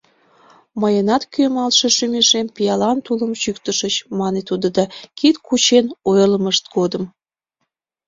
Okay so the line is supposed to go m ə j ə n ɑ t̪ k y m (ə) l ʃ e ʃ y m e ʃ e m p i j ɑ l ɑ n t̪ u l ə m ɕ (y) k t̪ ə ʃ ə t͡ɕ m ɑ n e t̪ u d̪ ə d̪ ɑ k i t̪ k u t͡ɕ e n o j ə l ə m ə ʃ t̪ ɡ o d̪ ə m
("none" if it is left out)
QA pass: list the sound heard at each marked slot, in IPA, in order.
ɑ, y

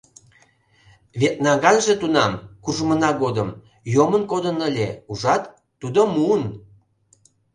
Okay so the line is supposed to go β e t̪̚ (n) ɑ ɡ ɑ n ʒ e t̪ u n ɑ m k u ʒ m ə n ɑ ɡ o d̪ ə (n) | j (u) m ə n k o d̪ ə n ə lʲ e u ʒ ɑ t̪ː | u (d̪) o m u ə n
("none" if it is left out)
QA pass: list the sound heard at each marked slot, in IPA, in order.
n, m, o, d̪

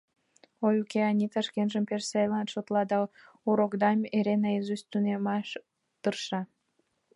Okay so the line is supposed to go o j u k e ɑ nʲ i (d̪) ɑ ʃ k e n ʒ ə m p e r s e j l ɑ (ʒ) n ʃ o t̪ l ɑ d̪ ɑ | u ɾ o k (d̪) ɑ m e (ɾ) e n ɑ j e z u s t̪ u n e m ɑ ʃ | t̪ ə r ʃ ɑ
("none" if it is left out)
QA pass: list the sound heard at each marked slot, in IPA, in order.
t̪, none, d̪, ɾ

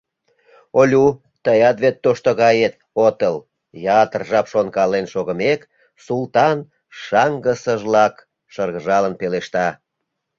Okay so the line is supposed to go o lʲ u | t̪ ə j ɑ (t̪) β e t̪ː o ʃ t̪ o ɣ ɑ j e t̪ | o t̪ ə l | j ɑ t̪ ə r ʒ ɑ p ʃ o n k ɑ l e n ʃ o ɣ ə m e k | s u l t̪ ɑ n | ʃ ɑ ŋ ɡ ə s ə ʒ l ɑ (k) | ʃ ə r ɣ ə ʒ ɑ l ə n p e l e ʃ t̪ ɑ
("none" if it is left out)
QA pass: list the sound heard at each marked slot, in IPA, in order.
t̪, k

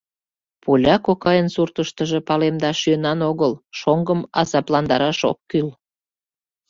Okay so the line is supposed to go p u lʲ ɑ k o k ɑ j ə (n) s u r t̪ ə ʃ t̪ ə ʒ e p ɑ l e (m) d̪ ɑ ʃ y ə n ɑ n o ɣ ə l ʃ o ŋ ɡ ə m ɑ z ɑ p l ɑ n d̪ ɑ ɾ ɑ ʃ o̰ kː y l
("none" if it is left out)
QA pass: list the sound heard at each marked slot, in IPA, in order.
n, m

